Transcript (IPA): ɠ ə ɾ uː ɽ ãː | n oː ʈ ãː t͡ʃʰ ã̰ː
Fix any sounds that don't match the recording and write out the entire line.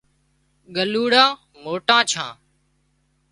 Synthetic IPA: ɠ ə l uː ɽ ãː | m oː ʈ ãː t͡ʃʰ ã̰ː